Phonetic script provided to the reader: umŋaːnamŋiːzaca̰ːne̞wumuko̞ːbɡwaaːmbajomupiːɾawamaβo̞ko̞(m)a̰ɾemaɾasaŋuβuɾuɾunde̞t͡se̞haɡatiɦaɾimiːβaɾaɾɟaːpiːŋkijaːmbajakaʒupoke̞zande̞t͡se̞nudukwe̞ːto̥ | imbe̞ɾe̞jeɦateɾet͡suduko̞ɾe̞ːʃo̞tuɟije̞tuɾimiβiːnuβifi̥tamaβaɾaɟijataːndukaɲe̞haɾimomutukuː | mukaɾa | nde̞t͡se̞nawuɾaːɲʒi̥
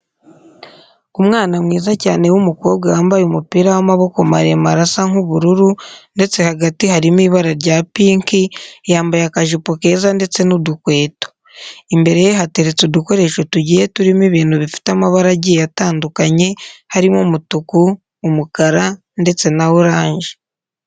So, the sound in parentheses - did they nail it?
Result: yes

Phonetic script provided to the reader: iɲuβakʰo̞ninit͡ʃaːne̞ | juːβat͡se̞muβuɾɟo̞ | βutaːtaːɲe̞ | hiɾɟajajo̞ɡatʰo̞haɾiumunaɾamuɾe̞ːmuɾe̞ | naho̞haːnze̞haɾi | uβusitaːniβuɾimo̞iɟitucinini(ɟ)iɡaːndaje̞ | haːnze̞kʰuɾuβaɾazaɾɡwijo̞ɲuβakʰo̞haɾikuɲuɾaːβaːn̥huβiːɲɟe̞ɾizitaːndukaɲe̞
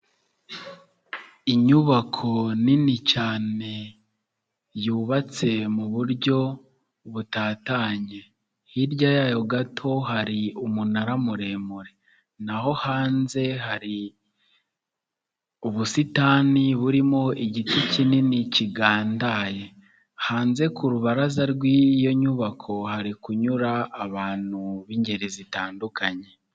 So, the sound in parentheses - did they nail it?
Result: no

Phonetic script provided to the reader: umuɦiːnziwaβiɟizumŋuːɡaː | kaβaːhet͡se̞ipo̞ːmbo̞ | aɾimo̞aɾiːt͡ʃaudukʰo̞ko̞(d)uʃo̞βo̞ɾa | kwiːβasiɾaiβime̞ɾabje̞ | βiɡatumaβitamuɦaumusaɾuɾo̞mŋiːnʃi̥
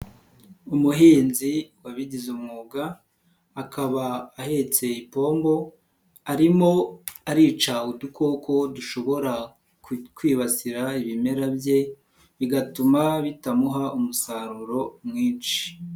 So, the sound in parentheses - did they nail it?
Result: yes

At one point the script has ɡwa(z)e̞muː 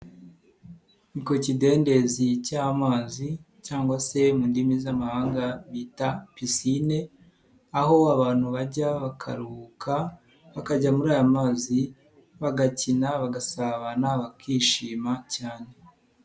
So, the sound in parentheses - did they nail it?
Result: no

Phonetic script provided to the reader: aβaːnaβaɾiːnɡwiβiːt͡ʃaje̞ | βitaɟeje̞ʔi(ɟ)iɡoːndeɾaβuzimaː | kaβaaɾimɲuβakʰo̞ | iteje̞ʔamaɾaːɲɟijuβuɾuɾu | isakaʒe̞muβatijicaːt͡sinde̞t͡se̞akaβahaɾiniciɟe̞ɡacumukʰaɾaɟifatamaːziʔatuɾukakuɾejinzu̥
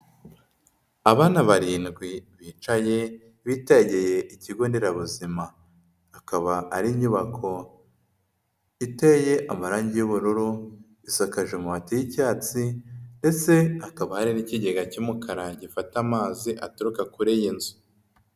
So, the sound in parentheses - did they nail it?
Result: no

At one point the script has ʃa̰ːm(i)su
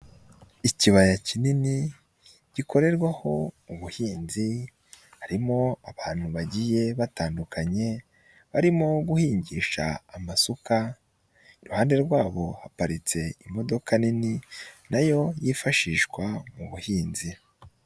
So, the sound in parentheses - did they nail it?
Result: no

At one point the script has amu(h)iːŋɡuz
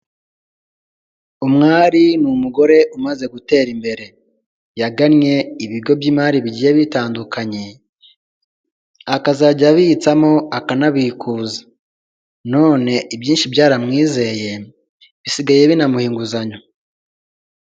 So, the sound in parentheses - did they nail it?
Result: yes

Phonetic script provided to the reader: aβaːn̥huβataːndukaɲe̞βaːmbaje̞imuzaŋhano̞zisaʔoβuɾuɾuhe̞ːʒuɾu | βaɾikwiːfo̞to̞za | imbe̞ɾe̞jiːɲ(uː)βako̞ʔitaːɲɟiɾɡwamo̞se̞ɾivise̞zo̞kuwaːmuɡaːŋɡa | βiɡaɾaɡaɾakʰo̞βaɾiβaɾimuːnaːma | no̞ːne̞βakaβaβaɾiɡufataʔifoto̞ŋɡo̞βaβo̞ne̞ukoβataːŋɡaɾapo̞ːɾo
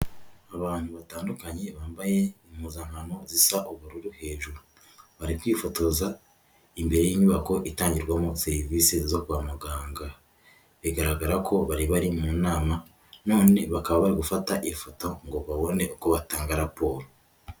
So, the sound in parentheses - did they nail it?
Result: no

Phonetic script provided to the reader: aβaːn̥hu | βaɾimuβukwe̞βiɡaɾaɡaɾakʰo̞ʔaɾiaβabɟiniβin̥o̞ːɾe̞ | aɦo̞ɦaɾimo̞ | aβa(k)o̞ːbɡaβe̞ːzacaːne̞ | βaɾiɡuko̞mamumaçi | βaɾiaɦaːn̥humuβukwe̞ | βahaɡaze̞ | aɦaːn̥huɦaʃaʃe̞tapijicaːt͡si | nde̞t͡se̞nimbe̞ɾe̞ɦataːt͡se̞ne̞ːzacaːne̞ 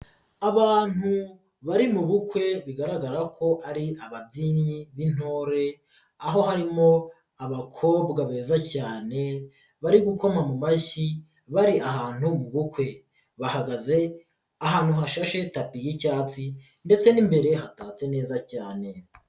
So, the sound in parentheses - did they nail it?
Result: no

